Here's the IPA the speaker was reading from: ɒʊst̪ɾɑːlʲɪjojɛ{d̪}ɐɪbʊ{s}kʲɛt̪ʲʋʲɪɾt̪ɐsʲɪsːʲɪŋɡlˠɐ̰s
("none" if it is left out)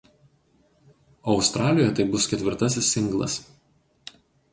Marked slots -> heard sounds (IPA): t̪, s

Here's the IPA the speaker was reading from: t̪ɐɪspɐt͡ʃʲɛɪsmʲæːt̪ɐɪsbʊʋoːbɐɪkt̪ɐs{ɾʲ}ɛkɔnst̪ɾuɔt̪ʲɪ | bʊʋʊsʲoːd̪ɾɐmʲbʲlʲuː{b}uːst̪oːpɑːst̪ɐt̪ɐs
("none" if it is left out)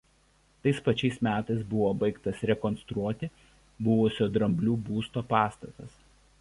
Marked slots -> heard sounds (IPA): ɾʲ, b

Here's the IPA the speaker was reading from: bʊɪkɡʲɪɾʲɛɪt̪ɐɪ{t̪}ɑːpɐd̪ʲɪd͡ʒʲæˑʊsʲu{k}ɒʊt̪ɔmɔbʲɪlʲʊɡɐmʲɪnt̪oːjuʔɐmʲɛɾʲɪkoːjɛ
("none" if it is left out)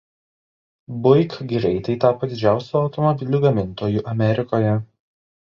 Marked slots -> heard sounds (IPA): t̪, none

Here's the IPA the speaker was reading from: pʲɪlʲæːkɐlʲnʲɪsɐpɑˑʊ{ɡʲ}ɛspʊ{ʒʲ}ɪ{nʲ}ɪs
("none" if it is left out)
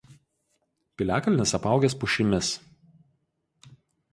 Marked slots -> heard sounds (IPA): ɡʲ, ʃʲ, mʲ

